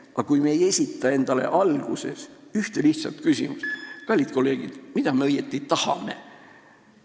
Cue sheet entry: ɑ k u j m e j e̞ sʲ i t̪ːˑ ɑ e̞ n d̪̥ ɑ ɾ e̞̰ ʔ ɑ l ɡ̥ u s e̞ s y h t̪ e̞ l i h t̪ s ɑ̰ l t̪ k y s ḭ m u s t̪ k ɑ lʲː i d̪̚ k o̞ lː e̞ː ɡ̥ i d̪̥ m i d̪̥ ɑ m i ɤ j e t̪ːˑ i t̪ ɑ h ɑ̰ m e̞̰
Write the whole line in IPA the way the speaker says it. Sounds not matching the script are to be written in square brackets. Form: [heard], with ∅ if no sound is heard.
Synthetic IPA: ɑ k u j m e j e̞ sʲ i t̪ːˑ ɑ e̞ n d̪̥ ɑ [l] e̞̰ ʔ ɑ l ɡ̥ u s e̞ s y h t̪ e̞ l i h t̪ s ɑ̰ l t̪ k y s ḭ m u s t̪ k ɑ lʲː i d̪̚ k o̞ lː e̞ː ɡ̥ i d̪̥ m i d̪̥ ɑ m [e] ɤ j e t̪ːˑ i t̪ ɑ h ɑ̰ m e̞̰

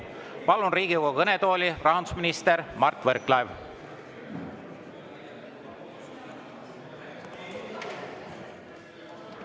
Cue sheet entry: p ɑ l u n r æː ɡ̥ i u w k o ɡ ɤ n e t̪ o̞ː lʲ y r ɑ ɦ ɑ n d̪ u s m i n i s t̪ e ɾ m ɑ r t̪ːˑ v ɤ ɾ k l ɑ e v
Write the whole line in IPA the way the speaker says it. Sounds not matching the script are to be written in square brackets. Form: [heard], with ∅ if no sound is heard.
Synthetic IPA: p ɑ l u n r [iː] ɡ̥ i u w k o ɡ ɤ n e t̪ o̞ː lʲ [i] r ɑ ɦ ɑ n d̪ u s m i n i s t̪ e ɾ m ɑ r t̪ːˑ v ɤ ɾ k l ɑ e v

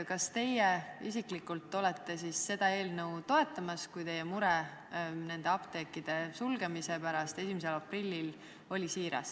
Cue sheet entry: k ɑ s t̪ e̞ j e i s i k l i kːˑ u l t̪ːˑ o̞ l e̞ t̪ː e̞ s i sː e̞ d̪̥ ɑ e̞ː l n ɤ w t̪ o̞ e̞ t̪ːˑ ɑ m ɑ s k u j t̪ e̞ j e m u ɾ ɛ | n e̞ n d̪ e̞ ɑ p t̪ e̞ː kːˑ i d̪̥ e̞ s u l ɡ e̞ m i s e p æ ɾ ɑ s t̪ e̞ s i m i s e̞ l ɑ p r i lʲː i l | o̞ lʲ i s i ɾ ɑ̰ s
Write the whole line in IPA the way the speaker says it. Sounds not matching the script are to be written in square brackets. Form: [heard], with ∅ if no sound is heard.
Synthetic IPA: k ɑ s t̪ e̞ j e i s i k l i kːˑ u l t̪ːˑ o̞ l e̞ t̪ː e̞ s i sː e̞ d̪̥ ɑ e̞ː l n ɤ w t̪ o̞ e̞ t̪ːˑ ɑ m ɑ s k u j t̪ e̞ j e m u ɾ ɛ | n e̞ n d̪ e̞ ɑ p t̪ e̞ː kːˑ i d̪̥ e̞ s u l ɡ e̞ m i s e p æ ɾ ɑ s t̪ e̞ s i m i s e̞ l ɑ p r i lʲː i l | o̞ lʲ i s [iː] ɾ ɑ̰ s

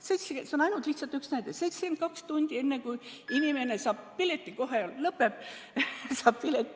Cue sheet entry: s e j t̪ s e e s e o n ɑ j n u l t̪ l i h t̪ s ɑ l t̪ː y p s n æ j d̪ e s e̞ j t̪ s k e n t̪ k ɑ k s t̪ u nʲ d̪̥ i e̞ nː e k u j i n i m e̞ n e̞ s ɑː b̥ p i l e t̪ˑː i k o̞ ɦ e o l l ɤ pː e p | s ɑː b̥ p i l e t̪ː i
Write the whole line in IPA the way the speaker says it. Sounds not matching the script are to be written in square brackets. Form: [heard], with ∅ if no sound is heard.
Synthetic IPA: s e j t̪ s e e s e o n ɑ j n u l t̪ l i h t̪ s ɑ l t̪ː y [k] s n æ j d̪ e s e̞ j t̪ s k e n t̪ k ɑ k s t̪ u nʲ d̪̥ i e̞ nː e k u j i n i m e̞ n e̞ s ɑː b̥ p i l e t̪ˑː i k o̞ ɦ e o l l ɤ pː e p | s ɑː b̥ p i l e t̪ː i

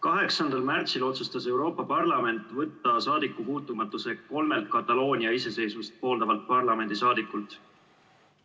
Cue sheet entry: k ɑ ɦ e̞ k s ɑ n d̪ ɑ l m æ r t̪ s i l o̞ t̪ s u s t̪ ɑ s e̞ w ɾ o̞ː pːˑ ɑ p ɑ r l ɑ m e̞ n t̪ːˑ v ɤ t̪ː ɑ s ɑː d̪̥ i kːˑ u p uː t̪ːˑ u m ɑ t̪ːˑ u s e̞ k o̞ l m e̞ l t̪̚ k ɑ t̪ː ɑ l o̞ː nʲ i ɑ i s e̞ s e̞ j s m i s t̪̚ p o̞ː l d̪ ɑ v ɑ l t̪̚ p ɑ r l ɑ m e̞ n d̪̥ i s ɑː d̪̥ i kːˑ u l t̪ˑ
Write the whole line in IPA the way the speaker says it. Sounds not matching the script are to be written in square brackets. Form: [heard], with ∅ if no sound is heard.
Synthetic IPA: k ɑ ɦ e̞ k s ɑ n d̪ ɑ l m æ r t̪ s i l o̞ t̪ s u s t̪ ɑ s e̞ w ɾ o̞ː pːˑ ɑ p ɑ r l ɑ m e̞ n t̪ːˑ v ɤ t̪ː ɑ s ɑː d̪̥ i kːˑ u p uː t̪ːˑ u m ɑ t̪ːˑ u s e̞ k o̞ l m e̞ l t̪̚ k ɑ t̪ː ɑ l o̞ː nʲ i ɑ i s e̞ s e̞ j s m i s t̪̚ p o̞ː l d̪ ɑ v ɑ l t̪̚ p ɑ r l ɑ m e̞ n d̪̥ i s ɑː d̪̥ i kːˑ u l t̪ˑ

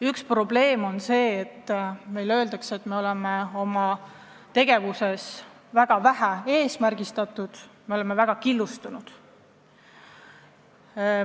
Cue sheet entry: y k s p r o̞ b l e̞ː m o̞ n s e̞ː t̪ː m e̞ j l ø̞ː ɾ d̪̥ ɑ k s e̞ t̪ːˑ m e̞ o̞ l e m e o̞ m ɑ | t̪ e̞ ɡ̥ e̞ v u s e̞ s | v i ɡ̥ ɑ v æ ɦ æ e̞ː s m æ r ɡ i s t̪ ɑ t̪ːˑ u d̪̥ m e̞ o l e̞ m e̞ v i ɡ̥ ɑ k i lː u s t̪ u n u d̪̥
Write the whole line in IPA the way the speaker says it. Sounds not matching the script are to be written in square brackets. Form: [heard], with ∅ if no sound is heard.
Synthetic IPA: y k s p r o̞ b l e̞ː m o̞ n s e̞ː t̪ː m e̞ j l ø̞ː [l] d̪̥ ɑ k s e̞ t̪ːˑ m e̞ o̞ l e m e o̞ m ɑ | t̪ e̞ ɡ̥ e̞ v u s e̞ s | v [æ] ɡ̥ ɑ v æ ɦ æ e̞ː s m æ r ɡ i s t̪ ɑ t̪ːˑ u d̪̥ m e̞ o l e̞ m e̞ v [æ] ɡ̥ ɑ k i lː u s t̪ u n u d̪̥

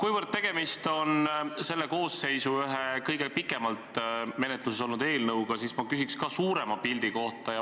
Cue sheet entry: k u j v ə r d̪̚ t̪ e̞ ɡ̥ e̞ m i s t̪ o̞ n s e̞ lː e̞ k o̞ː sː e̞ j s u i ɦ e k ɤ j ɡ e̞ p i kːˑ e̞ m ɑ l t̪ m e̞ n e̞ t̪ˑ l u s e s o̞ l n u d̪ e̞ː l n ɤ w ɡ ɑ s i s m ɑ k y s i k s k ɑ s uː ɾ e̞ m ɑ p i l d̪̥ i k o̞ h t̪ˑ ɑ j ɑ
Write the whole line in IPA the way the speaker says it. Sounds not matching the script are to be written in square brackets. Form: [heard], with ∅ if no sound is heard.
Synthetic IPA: k u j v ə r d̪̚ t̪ e̞ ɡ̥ e̞ m i s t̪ o̞ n s e̞ lː e̞ k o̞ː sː e̞ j s u [y] ɦ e k ɤ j ɡ e̞ p i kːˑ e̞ m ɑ l t̪ m e̞ n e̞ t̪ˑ l u s e s o̞ l n u d̪ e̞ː l n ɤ w ɡ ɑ s i s m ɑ k y s i k s k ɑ s uː ɾ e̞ m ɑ p i l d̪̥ i k o̞ h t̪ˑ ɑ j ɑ

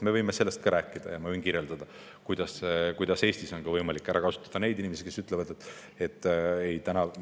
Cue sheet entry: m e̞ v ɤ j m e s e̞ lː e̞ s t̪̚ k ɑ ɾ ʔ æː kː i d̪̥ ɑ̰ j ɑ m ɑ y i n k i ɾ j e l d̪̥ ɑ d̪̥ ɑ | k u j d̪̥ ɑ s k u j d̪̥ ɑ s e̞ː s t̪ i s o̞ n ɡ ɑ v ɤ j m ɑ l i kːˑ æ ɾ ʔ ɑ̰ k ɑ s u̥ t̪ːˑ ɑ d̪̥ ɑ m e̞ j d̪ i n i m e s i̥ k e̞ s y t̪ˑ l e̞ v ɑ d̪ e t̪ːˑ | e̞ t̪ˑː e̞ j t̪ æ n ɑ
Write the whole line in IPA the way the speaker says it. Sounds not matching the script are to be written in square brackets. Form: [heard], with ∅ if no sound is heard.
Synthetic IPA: m e̞ v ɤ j m e s e̞ lː e̞ s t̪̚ k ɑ ɾ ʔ æː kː i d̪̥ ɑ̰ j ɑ m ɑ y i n k i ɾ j e l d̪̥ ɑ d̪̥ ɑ | k u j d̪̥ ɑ s k u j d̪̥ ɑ s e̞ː s t̪ i s o̞ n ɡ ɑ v ɤ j m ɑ l i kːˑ æ ɾ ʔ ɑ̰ k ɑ s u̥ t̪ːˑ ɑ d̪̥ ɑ [n] e̞ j d̪ i n i m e s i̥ k e̞ s y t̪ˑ l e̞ v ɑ d̪ e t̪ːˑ | e̞ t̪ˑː e̞ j t̪ æ n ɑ

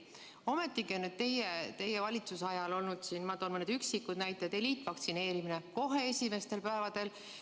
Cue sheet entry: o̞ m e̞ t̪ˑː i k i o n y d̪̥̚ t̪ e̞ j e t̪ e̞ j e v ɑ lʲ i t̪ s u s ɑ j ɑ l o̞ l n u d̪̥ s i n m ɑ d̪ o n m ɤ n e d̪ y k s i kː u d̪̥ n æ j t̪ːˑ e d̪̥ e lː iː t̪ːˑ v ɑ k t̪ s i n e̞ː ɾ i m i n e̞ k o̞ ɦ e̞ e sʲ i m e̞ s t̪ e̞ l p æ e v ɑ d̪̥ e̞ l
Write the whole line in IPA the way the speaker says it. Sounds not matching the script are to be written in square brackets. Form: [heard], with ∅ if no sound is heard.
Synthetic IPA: o̞ m e̞ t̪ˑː i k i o n y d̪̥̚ t̪ e̞ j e t̪ e̞ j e v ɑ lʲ i t̪ s u s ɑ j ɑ l o̞ l n u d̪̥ s i n m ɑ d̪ o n m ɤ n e d̪ y k s i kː u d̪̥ n æ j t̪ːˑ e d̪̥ e [l] iː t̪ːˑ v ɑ k t̪ s i n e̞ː ɾ i m i n e̞ k o̞ ɦ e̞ e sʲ i m e̞ s t̪ e̞ l p æ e v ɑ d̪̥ e̞ l

